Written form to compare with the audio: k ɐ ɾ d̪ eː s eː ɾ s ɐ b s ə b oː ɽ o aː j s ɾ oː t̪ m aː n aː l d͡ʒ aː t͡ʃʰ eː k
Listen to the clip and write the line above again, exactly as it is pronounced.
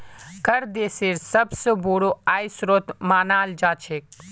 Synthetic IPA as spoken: k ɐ ɾ d̪ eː s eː ɾ s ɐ b s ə b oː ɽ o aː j s ɾ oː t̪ m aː n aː l d͡ʒ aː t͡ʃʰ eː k